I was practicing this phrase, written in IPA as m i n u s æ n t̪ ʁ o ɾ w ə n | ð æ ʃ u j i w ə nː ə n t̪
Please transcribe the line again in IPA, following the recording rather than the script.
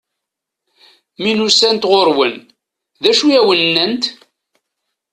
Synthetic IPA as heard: m i n u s æ n t̪ ʁ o ɾ w ə n | ð æ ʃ u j æ w ə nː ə n t̪